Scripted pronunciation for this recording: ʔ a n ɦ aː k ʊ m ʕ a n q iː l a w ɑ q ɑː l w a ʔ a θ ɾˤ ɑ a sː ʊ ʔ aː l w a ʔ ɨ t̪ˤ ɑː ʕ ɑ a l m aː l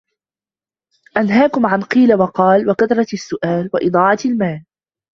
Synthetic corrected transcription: ʔ a n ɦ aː k ʊ m ʕ a n q iː l a w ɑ q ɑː l w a k a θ ɾˤ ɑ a sː ʊ ʔ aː l w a ʔ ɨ d̪ˤ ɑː ʕ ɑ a l m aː l